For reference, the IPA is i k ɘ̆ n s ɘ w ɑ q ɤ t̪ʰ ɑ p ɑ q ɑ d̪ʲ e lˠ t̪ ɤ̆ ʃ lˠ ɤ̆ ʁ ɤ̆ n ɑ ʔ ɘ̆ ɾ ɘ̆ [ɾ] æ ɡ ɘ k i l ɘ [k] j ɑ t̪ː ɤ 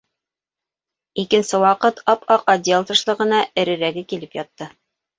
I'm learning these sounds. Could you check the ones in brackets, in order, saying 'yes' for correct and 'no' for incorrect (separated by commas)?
yes, no